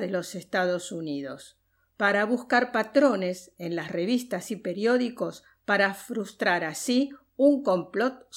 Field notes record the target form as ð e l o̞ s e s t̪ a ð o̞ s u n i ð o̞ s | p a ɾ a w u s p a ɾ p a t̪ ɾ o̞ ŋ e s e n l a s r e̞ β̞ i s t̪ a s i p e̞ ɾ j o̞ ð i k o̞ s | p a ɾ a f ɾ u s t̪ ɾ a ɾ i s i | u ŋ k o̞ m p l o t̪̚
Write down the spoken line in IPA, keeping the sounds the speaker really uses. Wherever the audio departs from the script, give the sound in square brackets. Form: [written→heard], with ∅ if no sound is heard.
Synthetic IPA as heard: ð e l o̞ s e s t̪ a ð o̞ s u n i ð o̞ s | p a ɾ a [w→β] u s [p→k] a ɾ p a t̪ ɾ o̞ [ŋ→n] e s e n l a s r e̞ β̞ i s t̪ a s i p e̞ ɾ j o̞ ð i k o̞ s | p a ɾ a f ɾ u s t̪ ɾ a ɾ [i→a] s i | u ŋ k o̞ m p l o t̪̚